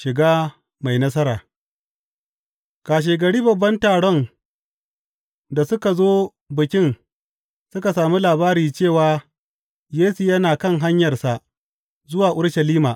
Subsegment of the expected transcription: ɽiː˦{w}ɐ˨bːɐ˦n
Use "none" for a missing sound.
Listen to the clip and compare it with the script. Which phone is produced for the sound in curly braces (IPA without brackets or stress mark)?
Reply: b